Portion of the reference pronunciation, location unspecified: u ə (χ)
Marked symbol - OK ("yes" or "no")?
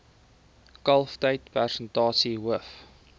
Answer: no